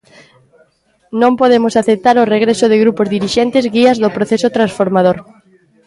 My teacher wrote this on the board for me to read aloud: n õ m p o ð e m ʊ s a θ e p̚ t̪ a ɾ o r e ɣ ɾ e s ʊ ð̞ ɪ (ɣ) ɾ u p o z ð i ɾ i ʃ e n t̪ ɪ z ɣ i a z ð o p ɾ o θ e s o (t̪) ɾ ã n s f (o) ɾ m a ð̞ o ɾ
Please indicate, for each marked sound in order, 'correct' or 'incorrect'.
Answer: correct, correct, correct

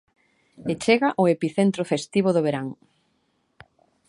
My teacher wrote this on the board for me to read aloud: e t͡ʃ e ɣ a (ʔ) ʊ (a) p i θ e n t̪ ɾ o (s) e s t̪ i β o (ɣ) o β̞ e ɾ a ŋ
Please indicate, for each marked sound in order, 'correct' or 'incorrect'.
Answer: correct, incorrect: e, incorrect: f, incorrect: ð

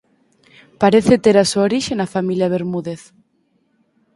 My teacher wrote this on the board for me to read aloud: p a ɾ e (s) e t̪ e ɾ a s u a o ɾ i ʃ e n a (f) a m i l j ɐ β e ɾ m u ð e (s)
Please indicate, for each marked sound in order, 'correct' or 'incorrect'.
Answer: incorrect: θ, correct, incorrect: θ

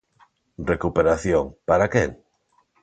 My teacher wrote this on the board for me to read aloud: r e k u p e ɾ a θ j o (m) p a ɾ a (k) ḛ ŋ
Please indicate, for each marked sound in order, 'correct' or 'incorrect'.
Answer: incorrect: ŋ, correct

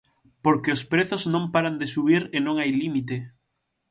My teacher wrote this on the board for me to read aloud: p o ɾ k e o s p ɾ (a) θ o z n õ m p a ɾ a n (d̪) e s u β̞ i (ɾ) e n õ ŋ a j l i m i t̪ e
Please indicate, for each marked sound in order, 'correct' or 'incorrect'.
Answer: incorrect: e, correct, correct

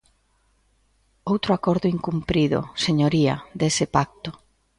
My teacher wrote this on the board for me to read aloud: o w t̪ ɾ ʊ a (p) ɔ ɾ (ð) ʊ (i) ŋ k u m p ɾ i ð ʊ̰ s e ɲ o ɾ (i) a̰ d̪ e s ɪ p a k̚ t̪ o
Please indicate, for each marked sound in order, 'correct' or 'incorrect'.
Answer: incorrect: k, correct, correct, correct

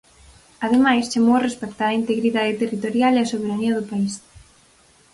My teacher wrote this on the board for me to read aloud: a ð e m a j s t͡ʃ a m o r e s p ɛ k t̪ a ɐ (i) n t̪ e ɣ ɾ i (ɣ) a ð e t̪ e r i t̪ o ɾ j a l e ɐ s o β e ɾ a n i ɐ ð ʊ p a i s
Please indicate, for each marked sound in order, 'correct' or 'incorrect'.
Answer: correct, incorrect: ð

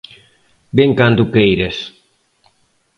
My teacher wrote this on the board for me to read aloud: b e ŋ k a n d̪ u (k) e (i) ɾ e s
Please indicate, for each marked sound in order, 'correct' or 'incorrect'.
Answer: correct, incorrect: j

